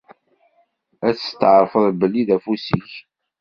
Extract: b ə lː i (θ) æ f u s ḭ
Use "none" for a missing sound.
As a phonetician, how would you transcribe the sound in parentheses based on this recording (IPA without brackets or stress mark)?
ð